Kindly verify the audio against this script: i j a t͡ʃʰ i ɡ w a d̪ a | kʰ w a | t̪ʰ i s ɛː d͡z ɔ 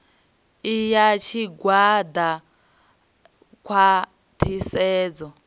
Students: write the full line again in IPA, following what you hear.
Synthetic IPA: i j a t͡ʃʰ i ɡ w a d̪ a | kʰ w a | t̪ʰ i s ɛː d͡z ɔ